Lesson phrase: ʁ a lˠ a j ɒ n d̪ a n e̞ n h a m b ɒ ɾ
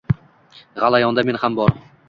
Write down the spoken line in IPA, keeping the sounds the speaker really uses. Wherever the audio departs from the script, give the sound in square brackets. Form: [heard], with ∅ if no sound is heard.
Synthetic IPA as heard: ʁ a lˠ a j ɒ n d̪ a [m] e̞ n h a m b ɒ ɾ